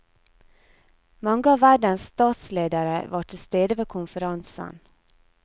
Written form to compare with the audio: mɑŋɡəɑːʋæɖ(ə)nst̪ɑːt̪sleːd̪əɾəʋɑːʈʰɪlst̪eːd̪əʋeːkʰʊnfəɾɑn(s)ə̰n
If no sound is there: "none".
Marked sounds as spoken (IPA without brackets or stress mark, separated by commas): ə, s